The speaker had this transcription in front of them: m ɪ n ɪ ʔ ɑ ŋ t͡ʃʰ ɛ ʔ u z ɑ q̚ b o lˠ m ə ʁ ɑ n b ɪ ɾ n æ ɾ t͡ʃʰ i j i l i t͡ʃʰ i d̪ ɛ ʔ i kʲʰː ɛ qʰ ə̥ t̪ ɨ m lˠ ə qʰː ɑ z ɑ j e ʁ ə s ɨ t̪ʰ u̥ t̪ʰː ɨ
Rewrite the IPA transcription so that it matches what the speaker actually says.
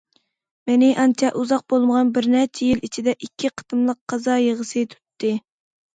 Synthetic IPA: m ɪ n ɪ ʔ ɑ n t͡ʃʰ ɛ ʔ u z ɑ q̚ b o lˠ m ə ʁ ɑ n b ɪ ɾ n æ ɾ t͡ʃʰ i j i l i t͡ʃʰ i d̪ ɛ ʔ i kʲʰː i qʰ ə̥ t̪ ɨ m lˠ ə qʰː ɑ z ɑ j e ʁ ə s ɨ t̪ʰ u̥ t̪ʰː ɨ